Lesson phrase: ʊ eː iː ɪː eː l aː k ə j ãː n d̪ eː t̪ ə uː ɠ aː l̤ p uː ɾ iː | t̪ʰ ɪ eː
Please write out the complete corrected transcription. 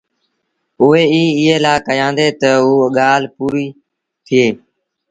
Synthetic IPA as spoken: ʊ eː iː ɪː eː l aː k ə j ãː n d̪ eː t̪ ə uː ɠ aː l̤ p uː ɾ iː | t̪ʰ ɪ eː